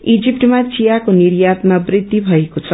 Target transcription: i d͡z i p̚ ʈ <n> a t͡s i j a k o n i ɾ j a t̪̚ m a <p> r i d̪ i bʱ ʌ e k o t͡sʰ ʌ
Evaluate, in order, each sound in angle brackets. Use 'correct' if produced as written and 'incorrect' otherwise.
incorrect: m, incorrect: b

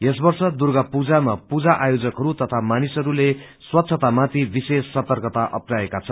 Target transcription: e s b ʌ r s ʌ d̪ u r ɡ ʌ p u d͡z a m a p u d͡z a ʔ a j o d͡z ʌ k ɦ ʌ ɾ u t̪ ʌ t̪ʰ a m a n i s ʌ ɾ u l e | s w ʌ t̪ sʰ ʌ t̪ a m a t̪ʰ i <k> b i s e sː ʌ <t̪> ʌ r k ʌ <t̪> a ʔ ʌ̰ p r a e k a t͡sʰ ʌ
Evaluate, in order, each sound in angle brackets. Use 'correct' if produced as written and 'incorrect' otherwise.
incorrect: none, correct, correct

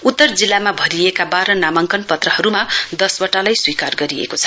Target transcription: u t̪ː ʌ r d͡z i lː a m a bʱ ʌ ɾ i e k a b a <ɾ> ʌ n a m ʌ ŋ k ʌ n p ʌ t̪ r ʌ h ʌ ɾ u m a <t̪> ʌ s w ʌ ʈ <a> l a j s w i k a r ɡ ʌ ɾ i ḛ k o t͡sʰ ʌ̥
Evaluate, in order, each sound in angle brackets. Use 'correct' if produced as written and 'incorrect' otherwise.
correct, incorrect: d̪, correct

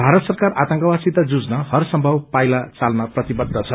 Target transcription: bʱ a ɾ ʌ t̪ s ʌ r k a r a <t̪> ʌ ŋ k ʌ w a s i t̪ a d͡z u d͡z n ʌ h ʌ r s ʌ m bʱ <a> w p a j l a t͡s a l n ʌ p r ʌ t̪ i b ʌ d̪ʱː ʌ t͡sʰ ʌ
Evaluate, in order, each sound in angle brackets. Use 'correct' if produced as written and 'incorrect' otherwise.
correct, incorrect: ʌ

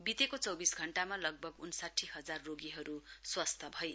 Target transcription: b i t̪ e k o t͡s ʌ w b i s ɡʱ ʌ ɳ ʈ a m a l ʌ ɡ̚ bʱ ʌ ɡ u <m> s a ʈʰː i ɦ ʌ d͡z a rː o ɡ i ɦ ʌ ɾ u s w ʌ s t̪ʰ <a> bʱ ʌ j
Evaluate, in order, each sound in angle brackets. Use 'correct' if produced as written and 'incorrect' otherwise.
incorrect: n, incorrect: ʌ

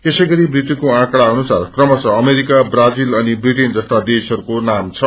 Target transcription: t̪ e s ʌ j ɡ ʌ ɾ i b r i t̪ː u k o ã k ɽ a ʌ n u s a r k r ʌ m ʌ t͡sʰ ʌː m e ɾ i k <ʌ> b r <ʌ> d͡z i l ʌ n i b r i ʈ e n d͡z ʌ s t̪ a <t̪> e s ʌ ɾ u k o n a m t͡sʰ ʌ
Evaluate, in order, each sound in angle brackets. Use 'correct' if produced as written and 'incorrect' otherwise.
incorrect: a, incorrect: a, incorrect: d̪

